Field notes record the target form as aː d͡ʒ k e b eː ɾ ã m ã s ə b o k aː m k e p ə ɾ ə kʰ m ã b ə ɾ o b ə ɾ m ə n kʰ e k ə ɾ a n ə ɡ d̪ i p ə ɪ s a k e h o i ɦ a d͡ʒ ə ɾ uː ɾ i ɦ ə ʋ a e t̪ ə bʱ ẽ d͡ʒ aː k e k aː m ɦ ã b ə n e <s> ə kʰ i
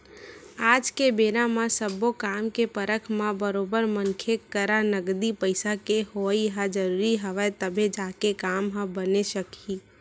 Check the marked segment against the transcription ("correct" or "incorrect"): incorrect